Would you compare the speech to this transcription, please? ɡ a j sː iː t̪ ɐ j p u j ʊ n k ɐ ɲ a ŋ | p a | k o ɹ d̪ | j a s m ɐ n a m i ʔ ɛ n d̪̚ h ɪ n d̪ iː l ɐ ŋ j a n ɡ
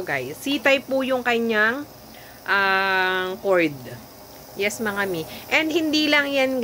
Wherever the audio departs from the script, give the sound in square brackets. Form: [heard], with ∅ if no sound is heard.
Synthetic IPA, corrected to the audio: ɡ a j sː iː t̪ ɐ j p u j ʊ [ŋ] k ɐ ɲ a ŋ | [ʔ] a | k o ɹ d̪ | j [ɛ] s m ɐ [ŋ] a m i ʔ ɛ n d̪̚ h ɪ n d̪ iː l ɐ ŋ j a n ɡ